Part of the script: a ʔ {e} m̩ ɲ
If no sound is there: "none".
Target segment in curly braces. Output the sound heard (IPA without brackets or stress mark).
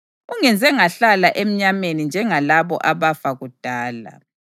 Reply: e